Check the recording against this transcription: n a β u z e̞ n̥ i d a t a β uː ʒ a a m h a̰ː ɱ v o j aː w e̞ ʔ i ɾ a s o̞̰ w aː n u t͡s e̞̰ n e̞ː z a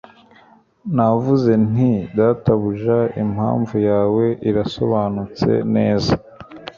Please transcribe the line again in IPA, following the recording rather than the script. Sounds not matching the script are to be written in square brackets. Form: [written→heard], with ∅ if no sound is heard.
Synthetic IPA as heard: n a [β→v] u z e̞ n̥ i d a t a β [uː→u] ʒ a [a→i] m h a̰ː ɱ v [o→u] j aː w e̞ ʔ i ɾ a s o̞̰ [w→β] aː n u t͡s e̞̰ n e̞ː z a